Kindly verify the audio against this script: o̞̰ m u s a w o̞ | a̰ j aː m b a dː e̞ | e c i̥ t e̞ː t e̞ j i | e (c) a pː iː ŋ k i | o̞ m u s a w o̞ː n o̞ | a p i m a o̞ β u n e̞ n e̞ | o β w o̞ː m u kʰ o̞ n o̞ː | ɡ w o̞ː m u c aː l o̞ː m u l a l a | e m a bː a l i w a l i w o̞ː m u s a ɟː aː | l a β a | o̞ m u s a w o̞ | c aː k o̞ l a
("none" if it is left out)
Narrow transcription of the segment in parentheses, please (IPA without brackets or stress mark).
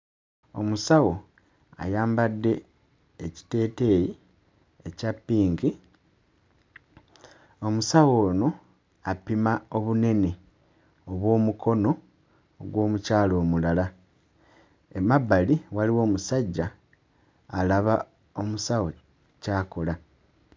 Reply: c